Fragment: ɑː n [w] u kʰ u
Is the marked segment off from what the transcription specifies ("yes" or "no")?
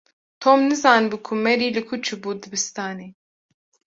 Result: yes